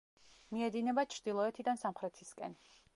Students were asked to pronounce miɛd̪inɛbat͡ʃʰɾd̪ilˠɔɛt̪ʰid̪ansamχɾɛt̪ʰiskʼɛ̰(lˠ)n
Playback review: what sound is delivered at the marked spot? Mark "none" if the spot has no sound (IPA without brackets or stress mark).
none